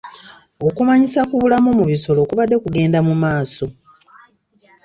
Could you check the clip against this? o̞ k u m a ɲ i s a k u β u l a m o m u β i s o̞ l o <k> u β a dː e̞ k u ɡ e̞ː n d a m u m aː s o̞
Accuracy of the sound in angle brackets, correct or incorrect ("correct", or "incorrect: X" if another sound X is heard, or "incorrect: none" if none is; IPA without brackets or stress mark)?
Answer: correct